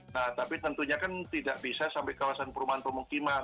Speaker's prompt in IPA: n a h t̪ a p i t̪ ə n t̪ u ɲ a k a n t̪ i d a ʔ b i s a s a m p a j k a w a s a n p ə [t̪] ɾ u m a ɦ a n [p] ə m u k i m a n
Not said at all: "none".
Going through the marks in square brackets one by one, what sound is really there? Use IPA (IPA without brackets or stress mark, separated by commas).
none, p